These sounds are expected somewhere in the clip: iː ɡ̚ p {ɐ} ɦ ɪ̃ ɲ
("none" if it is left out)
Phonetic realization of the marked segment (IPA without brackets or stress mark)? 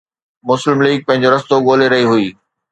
ɐ̃